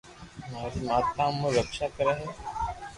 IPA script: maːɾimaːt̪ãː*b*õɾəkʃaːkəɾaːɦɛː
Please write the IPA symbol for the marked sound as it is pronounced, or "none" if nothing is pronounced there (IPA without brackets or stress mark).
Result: m